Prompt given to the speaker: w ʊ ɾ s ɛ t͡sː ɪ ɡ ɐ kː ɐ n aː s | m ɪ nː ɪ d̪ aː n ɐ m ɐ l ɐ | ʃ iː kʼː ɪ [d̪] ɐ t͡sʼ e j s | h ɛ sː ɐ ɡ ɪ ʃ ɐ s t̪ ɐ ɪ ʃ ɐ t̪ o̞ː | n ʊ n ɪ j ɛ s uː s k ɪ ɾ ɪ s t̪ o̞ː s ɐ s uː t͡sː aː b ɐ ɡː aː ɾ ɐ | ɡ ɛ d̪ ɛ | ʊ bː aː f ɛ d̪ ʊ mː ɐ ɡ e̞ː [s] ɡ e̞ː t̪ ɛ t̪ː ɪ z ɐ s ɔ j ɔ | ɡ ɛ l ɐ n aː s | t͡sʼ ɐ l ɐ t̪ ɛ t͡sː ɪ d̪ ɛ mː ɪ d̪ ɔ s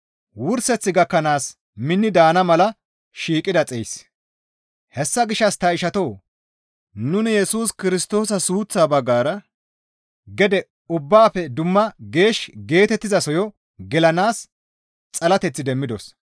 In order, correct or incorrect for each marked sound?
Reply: correct, incorrect

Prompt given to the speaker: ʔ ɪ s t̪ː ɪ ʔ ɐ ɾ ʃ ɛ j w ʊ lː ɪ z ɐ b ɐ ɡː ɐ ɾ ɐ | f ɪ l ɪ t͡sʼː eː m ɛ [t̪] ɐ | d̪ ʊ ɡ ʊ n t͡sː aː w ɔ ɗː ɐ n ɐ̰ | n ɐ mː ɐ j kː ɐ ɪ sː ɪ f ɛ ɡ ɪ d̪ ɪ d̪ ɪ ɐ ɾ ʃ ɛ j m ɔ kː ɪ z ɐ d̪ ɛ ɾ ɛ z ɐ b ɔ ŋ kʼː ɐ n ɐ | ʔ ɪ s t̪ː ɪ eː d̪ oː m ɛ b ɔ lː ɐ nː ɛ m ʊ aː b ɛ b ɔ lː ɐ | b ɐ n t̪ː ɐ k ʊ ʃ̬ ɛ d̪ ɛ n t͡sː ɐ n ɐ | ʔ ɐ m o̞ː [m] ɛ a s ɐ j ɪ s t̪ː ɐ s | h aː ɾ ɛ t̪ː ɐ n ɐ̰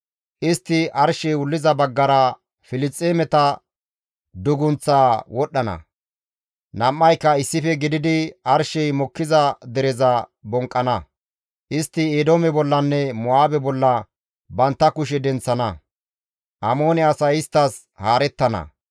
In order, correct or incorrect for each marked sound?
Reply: correct, incorrect

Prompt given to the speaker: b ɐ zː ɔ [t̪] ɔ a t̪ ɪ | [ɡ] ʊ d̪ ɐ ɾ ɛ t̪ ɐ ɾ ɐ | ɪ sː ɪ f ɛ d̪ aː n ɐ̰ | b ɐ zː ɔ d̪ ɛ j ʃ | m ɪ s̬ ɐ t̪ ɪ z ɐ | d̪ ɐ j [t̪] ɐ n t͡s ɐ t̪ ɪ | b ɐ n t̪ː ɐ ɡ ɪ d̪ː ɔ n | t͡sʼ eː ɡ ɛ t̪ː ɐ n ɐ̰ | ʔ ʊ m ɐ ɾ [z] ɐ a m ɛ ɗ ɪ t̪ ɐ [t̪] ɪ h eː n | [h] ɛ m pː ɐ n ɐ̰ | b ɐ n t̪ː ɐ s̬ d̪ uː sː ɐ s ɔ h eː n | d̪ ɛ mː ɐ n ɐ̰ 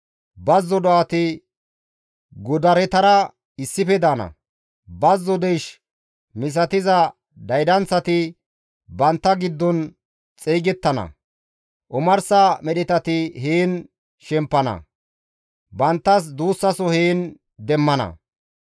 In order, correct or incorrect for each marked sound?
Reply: incorrect, correct, incorrect, incorrect, correct, incorrect

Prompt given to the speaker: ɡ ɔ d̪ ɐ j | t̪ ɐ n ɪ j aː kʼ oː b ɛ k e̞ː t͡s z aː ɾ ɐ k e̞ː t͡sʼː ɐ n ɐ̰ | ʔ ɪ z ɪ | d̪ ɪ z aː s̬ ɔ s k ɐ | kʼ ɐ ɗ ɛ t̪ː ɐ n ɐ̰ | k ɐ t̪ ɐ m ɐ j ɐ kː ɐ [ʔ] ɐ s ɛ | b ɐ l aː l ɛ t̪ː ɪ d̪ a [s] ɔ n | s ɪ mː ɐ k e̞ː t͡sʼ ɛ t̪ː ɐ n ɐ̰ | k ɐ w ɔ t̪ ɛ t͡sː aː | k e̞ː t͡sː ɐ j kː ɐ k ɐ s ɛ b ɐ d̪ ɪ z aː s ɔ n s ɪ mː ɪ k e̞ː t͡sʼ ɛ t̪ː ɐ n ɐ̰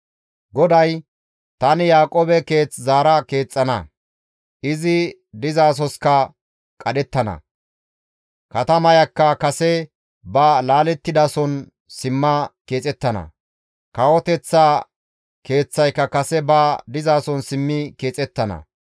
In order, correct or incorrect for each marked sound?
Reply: incorrect, correct

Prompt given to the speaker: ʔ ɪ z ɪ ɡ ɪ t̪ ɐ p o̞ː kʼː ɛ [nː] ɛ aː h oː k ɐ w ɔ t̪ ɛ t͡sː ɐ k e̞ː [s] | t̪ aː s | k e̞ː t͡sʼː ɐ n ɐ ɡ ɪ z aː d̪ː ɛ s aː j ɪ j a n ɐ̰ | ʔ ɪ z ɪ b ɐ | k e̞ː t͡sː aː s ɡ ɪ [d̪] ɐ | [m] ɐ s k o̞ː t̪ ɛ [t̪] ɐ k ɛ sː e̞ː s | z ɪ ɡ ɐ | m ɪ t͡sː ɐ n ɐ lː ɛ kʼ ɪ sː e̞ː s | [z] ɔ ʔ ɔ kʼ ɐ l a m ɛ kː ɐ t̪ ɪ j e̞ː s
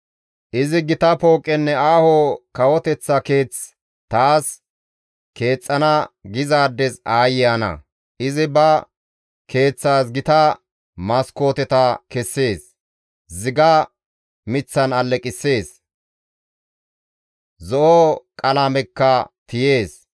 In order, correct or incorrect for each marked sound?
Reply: correct, incorrect, incorrect, correct, correct, correct

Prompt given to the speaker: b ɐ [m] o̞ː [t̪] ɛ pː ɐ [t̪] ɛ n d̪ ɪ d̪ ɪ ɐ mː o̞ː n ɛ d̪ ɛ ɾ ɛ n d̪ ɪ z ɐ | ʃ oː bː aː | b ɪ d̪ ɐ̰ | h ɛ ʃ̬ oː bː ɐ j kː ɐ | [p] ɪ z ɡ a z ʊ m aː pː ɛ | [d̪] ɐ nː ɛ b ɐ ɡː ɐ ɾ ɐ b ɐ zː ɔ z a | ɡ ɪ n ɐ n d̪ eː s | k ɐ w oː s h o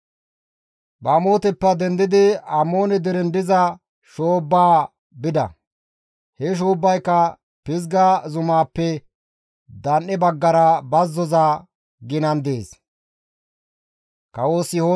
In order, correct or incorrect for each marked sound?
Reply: correct, correct, incorrect, correct, correct

